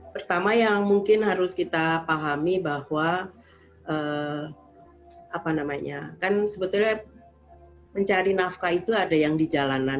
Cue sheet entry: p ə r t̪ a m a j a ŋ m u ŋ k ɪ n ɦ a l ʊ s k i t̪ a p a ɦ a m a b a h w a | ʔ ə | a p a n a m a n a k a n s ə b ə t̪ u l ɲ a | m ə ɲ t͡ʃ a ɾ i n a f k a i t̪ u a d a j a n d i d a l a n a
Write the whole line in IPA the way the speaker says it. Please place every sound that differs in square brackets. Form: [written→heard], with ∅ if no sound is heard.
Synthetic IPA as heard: p ə r t̪ a m a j a ŋ m u ŋ k ɪ n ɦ a [l→ɾ] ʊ s k i t̪ a p a ɦ a m [a→i] b a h w a | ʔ ə | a p a n a m a [n→ɲ] a k a n s ə b ə t̪ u l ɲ a | m ə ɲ t͡ʃ a ɾ i n a f k a i t̪ u a d a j a [n→ŋ] d i [d→d͡ʒ] a l a n a

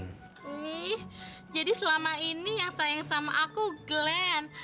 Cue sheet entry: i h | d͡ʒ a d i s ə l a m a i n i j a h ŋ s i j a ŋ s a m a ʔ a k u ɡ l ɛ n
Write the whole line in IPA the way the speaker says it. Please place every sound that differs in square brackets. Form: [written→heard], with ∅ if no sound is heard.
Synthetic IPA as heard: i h | d͡ʒ a d i s ə l a m a i n i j a [h→∅] ŋ s [i→a] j a ŋ s a m a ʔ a k u ɡ l ɛ n

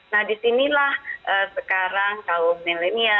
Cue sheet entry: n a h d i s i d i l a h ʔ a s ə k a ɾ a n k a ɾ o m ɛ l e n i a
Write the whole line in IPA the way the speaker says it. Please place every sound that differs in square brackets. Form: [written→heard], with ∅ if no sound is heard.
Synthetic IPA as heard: n a h d i s i [d→n] i l a h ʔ [a→ə] s ə k a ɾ a [n→ŋ] k a [ɾ→l] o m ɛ l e n i a

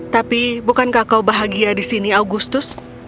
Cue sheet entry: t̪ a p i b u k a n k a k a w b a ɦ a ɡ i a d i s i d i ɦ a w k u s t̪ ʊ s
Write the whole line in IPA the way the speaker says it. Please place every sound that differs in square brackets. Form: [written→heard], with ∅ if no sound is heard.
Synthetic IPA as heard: t̪ a p i b u k a n k a k a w b a ɦ a ɡ i a d i s i [d→n] i [ɦ→∅] a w [k→ɡ] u s t̪ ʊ s

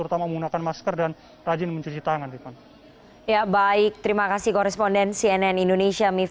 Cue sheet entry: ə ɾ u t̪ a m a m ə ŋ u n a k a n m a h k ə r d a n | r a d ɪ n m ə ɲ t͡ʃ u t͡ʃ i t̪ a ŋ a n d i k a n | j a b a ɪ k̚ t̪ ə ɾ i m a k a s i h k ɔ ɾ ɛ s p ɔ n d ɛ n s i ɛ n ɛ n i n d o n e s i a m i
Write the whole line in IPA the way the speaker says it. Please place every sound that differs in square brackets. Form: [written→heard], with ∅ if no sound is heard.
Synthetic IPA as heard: ə ɾ u t̪ a m a m ə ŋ u n a k a n m a [h→s] k ə r d a n | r a [d→d͡ʒ] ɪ n m ə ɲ t͡ʃ u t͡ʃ i t̪ a ŋ a n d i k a n | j a b a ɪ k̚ t̪ ə ɾ i m a k a s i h k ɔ ɾ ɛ s p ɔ n d ɛ n s i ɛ n ɛ n i n d o n e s i a m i

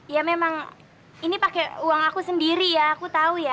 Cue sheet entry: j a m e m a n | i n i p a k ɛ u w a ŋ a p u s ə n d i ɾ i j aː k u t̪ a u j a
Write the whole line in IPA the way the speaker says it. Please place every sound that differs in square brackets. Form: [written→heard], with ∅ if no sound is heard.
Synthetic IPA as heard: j a m e m a [n→ŋ] | i n i p a k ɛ u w a ŋ a [p→k] u s ə n d i ɾ i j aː k u t̪ a u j a

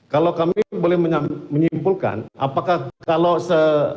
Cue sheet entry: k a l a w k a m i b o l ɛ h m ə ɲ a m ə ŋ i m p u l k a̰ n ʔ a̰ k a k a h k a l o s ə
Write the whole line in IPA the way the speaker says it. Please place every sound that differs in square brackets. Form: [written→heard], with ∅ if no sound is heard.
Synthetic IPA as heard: k a l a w k a m i b o l ɛ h m ə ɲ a m ə [ŋ→ɲ] i m p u l k a̰ n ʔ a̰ [k→p] a k a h k a l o s ə

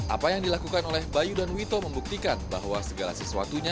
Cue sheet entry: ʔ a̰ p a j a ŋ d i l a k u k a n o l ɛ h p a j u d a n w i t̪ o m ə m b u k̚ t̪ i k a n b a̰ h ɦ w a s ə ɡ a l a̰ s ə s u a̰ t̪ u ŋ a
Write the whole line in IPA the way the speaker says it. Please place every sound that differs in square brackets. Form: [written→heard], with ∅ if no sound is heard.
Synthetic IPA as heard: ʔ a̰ p a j a ŋ d i l a k u k a n o l ɛ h [p→b] a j u d a n w i t̪ o m ə m b u k̚ t̪ i k a n b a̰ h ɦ w a s ə ɡ a l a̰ s ə s u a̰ t̪ u [ŋ→ɲ] a

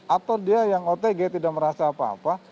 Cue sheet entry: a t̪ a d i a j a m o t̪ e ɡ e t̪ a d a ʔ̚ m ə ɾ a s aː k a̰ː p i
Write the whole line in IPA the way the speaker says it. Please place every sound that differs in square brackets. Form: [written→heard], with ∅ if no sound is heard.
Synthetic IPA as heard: a t̪ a d i a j a [m→ŋ] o t̪ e ɡ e t̪ [a→i] d a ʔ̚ m ə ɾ a s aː [k→p] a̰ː p [i→a]

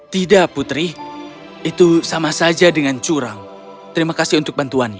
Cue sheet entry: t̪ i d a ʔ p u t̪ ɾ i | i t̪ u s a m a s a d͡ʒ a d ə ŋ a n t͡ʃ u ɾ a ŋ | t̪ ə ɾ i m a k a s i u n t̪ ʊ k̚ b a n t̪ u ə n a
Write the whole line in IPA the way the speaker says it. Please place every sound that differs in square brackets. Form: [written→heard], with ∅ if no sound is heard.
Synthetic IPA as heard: t̪ i d a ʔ p u t̪ ɾ i | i t̪ u s a m a s a d͡ʒ a d ə ŋ a n t͡ʃ u ɾ a ŋ | t̪ ə ɾ i m a k a s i u n t̪ ʊ k̚ b a n t̪ u [ə→a] n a

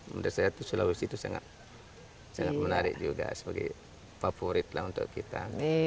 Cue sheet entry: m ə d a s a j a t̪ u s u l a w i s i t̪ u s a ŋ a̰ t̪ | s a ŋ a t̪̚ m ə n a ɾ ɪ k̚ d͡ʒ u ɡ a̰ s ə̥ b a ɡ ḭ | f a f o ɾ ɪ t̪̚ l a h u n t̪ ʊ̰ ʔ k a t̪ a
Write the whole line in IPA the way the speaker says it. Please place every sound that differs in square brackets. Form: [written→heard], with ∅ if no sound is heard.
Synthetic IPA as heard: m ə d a s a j a t̪ u s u l a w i s i t̪ u s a ŋ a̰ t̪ | s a ŋ a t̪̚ m ə n a ɾ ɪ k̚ d͡ʒ u ɡ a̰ s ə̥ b a ɡ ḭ | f a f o ɾ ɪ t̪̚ l a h u n t̪ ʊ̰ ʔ k [a→i] t̪ a

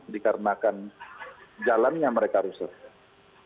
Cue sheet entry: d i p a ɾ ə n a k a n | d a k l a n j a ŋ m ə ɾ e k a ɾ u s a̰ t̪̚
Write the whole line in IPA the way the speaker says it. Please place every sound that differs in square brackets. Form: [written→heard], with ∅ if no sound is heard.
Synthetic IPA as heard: d i [p→k] a ɾ ə n a k a n | [d→d͡ʒ] a [k→∅] l a n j a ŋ m ə ɾ e k a ɾ u s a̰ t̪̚

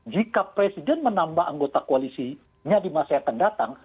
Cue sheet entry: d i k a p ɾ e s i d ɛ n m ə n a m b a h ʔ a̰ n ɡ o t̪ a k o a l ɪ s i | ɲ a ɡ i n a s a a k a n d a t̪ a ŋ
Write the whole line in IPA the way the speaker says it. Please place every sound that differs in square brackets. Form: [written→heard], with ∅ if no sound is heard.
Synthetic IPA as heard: [d→d͡ʒ] i k a p ɾ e s i d ɛ n m ə n a m b a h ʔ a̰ [n→ŋ] ɡ o t̪ a k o a l [ɪ→i] s i | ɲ a [ɡ→d] i [n→m] a s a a k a n d a t̪ a ŋ

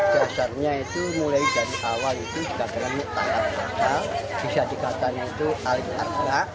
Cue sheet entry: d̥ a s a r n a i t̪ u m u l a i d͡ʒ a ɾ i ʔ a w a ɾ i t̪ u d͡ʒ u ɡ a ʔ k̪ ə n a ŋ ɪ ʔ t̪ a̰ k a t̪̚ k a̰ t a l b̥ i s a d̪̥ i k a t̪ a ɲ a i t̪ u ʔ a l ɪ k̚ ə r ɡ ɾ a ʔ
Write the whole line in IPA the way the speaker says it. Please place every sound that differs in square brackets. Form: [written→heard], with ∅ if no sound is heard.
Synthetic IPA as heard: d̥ a s a r [n→ɲ] a i t̪ u m u l a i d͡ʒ a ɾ i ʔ a w a [ɾ→l] i t̪ u d͡ʒ u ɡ a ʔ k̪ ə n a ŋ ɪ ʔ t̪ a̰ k a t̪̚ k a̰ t a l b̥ i s a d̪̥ i k a t̪ a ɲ a i t̪ u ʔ a l ɪ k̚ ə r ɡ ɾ a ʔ

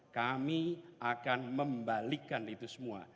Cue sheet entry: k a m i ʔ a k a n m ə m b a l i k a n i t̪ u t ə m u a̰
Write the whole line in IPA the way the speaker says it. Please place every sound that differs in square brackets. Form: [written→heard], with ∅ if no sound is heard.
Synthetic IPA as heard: k a m i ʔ a k a n m ə m b a l i k a n i t̪ u [t→s] ə m u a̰

